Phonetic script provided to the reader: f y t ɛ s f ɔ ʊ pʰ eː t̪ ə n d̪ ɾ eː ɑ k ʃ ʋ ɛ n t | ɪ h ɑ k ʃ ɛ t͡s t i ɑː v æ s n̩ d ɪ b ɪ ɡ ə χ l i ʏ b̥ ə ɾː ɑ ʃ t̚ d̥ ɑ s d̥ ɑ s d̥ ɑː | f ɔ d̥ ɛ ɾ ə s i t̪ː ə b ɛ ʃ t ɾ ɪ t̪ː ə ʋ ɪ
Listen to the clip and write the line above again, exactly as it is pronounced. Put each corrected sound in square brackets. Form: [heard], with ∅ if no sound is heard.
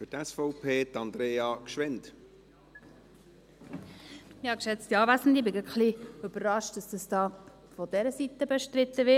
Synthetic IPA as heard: f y t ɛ s f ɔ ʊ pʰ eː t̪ [ɑ] n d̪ ɾ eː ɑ k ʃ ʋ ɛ n t | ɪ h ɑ k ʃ ɛ t͡s t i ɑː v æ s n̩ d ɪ b ɪ ɡ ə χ l i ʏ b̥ ə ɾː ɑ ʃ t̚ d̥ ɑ s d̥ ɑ s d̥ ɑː | f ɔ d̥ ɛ ɾ ə s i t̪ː ə b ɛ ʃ t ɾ ɪ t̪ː ə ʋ ɪ